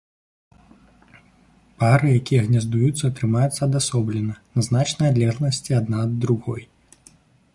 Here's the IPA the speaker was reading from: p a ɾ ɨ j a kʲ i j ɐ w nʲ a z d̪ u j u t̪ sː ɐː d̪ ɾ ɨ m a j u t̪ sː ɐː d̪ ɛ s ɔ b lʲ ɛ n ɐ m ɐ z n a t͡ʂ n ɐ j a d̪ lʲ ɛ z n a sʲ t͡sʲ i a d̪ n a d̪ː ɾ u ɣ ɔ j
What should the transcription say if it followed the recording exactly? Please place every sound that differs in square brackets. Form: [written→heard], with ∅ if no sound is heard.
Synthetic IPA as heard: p a ɾ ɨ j a kʲ i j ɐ [w→ɣ] nʲ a z d̪ u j u t̪ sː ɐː [d̪→t̪] ɾ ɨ m a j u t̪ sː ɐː d̪ [ɛ→a] s ɔ b lʲ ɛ n ɐ [m→n] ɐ z n a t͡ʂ n ɐ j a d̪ lʲ ɛ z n [a→ɐ] sʲ t͡sʲ i a d̪ n a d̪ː ɾ u ɣ ɔ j